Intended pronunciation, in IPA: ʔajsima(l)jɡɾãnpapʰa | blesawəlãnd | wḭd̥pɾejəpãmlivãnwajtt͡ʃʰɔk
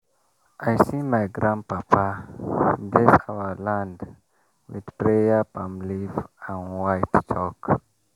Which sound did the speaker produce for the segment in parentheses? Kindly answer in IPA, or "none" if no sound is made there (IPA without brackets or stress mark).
none